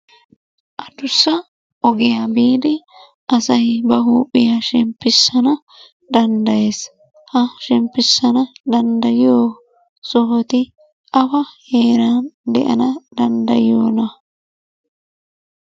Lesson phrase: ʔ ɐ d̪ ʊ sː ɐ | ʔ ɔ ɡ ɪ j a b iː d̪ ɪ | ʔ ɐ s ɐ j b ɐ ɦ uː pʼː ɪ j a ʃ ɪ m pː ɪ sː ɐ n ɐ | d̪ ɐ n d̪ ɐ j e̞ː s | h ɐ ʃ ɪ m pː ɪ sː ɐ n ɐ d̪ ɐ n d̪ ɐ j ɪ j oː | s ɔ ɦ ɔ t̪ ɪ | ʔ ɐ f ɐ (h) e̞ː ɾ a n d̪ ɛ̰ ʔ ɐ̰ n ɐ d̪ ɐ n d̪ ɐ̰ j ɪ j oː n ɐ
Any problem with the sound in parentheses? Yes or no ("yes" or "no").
no